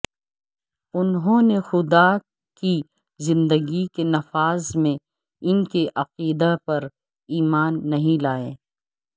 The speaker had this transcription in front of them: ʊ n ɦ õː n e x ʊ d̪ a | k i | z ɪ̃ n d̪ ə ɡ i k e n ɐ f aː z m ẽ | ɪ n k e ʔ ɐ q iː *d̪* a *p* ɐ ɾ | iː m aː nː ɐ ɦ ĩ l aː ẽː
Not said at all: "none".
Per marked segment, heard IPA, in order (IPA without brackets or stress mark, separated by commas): d̪, p